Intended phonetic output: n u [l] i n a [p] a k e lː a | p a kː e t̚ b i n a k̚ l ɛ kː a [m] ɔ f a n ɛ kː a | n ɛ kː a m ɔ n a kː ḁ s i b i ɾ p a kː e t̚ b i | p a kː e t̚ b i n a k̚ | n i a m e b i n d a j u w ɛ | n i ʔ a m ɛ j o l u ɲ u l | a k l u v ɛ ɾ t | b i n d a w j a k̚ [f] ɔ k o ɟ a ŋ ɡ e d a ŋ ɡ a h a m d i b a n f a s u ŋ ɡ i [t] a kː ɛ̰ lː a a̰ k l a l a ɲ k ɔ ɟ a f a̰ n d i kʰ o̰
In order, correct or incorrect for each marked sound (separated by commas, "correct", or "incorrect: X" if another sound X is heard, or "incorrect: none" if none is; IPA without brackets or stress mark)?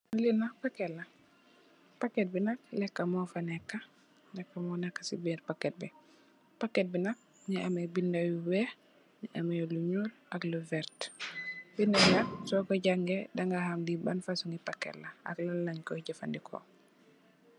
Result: correct, correct, correct, incorrect: s, incorrect: p